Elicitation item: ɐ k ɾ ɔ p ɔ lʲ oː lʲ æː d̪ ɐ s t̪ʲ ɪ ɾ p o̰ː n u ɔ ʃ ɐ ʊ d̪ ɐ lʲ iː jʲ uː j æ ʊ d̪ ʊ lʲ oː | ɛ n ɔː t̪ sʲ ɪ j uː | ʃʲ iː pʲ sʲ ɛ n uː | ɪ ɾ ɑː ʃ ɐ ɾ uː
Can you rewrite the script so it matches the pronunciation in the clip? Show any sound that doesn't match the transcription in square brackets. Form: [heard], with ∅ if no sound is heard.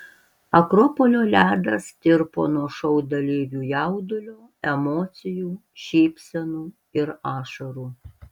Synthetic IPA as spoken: ɐ k ɾ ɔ p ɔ lʲ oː lʲ æː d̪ ɐ s t̪ʲ ɪ ɾ p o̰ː n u ɔ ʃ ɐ ʊ d̪ ɐ lʲ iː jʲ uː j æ ʊ d̪ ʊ lʲ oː | ɛ [m] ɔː t̪ sʲ ɪ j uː | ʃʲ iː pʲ sʲ ɛ n uː | ɪ ɾ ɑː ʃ ɐ ɾ uː